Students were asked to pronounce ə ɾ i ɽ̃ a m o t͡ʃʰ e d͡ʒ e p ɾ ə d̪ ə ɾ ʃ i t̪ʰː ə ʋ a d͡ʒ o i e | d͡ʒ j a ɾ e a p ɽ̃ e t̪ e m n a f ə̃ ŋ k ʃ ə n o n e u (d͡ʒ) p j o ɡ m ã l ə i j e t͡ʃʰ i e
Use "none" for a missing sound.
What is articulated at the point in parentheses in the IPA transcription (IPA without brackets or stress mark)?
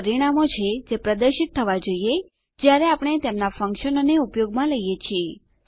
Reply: none